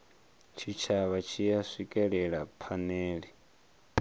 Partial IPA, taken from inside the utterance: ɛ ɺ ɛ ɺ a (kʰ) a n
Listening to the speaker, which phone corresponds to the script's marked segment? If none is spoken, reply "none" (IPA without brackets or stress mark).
pʰ